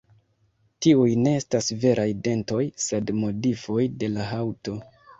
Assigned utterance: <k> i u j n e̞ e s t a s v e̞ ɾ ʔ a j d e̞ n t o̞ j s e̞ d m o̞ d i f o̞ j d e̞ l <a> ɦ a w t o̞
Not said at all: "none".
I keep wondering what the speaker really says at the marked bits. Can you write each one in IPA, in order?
t, a

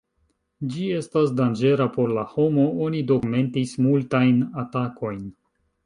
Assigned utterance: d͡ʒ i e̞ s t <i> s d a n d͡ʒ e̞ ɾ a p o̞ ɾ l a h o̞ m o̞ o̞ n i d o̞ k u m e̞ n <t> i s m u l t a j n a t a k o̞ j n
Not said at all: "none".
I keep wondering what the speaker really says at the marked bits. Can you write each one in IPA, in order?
a, t

